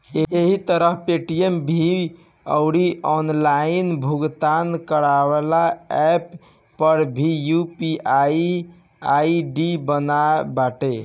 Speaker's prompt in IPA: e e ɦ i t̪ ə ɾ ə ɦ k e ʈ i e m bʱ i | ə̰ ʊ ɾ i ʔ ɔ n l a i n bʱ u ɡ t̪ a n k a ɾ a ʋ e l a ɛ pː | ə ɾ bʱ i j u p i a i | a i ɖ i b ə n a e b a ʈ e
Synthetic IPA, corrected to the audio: e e ɦ i t̪ ə ɾ ə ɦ p e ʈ i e m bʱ i | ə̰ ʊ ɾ i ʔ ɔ n l a i n bʱ u ɡ t̪ a n k ə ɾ a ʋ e l a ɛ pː | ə ɾ bʱ i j u p i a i | a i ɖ i b ə n a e b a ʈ e

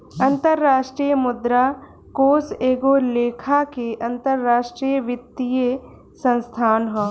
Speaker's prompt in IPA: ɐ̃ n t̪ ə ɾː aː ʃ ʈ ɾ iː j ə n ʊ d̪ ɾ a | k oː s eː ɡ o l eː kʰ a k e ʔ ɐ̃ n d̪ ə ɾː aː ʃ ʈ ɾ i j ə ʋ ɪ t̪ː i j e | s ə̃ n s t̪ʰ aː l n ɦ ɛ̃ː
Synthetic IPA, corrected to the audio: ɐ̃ n t̪ ə ɾː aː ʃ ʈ ɾ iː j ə m ʊ d̪ ɾ a | k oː s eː ɡ o l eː kʰ a k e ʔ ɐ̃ n t̪ ə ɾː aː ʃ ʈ ɾ i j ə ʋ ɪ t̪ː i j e | s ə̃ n s t̪ʰ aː n ɦ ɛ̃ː

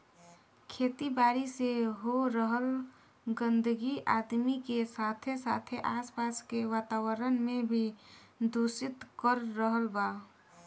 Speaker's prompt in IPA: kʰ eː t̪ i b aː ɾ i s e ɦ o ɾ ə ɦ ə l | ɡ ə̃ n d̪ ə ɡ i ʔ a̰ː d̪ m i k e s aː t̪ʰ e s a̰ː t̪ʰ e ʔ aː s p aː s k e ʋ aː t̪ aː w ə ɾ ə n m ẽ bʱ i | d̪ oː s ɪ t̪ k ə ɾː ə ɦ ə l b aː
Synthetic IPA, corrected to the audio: kʰ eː t̪ i b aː ɾ i s e ɦ o ɾ ə ɦ ə l | ɡ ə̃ n d̪ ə ɡ i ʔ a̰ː d̪ m i k e s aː t̪ʰ e s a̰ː t̪ʰ e ʔ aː s p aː s k e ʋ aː t̪ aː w ə ɾ ə n m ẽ bʱ i | d̪ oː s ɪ t̪ k ə ɾː ə ɦ ə l b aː

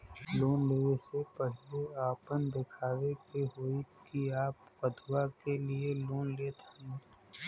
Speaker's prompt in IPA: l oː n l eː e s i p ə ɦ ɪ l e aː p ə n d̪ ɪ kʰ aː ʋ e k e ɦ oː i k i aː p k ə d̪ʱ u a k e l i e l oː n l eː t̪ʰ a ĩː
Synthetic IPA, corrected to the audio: l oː n l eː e s e p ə ɦ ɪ l e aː p ə n d̪ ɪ kʰ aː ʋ e k e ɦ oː i k i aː p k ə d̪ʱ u a k e l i e l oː n l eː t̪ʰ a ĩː

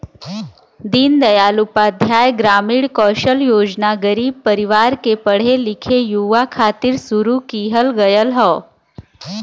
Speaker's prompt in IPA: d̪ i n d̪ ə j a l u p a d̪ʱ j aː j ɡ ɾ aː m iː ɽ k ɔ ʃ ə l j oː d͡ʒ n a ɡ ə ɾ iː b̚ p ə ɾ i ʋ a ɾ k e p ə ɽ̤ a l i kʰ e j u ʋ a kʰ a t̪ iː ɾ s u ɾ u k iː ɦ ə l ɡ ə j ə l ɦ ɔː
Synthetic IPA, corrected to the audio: d̪ i n d̪ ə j a l u p a d̪ʱ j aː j ɡ ɾ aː m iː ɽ k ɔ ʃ ə l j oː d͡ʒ n a ɡ ə ɾ iː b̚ p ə ɾ i ʋ a ɾ k e p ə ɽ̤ e l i kʰ e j u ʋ a kʰ a t̪ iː ɾ s u ɾ u k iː ɦ ə l ɡ ə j ə l ɦ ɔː

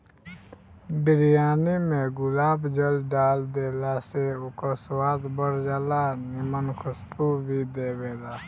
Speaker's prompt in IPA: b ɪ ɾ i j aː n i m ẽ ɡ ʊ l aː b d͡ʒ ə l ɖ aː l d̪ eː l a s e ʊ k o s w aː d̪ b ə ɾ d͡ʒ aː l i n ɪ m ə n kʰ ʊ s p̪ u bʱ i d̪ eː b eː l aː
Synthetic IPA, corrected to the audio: b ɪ ɾ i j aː n i m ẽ ɡ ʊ l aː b d͡ʒ ə l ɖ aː l d̪ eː l a s e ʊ k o s w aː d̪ b ə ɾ d͡ʒ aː l a n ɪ m ə n kʰ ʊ s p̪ u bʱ i d̪ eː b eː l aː

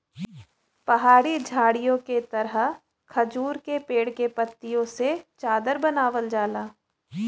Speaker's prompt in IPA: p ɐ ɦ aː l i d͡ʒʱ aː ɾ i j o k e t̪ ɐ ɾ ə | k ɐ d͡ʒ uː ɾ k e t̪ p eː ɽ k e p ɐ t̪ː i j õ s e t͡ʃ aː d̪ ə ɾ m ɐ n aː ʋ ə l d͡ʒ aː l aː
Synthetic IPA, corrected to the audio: p ɐ ɦ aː ɽ i d͡ʒʱ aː ɽ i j õ k e t̪ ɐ ɾ ə | kʰ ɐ d͡ʒ uː ɾ k e p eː ɽ k e p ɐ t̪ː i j õ s e t͡ʃ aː d̪ ə ɾ b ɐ n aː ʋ ə l d͡ʒ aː l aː

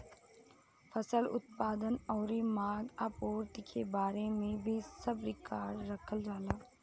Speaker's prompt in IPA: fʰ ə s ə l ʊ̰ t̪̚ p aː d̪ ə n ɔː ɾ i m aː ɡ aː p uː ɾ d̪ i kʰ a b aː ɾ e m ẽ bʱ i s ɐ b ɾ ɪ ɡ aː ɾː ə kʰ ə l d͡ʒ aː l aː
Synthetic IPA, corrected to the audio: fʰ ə s ə l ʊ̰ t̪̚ p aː d̪ ə n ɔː ɾ i m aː ɡ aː p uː ɾ t̪ i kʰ e b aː ɾ e m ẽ bʱ i s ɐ b ɾ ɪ k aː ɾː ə kʰ ə l d͡ʒ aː l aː

